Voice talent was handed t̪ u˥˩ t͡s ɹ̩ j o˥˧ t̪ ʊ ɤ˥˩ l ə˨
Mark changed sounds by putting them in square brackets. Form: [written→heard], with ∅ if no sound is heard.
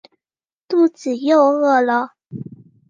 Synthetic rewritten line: t̪ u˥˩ t͡s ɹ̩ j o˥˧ [t̪→∅] ʊ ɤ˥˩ l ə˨